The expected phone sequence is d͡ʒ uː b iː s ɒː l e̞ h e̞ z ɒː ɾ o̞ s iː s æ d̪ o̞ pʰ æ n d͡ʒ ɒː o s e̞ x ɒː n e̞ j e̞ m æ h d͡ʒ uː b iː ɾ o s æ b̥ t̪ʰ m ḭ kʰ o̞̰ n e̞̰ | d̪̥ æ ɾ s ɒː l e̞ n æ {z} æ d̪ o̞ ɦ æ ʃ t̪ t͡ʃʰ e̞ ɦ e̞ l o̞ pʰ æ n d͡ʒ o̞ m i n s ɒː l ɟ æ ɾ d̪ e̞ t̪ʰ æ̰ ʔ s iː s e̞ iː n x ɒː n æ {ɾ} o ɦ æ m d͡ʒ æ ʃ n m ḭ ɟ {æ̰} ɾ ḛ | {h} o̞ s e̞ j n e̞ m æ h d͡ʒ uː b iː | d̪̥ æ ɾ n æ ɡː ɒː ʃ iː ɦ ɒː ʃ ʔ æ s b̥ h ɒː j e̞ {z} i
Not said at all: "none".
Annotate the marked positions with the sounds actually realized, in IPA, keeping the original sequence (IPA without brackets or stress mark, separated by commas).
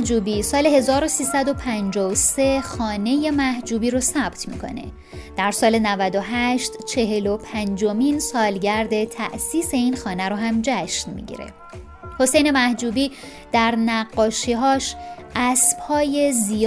v, ɾ, ḭ, h, z